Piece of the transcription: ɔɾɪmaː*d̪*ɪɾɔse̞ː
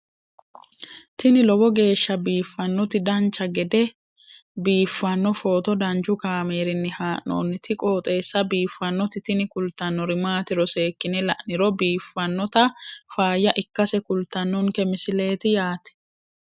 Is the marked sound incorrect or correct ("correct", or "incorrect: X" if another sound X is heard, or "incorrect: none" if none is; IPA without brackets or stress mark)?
incorrect: t̪